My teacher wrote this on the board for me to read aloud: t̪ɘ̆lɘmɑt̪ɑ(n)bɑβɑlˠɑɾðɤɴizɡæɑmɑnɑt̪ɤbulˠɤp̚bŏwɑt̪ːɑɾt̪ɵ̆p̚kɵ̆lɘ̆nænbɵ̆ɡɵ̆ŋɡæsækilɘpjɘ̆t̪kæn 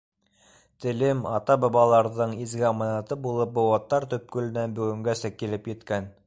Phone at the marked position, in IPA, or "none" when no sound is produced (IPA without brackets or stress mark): none